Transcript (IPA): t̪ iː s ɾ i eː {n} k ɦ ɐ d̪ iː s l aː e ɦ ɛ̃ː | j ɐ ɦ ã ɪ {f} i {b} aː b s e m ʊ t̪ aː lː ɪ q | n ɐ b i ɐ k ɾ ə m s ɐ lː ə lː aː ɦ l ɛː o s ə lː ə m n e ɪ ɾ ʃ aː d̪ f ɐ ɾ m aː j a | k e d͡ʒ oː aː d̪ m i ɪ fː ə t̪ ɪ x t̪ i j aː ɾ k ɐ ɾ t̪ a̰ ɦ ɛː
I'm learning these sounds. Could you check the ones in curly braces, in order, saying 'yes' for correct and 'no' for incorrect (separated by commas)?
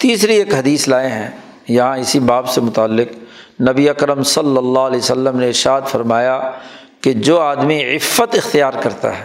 no, no, yes